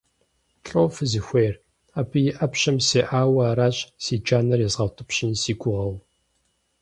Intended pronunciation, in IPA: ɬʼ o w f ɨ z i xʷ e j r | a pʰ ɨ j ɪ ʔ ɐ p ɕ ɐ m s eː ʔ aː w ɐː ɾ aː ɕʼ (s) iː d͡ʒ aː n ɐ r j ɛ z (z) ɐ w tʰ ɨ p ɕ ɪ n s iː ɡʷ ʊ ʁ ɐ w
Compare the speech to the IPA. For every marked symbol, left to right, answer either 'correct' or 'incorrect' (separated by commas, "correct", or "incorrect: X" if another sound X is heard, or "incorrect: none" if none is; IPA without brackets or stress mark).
correct, incorrect: ʁ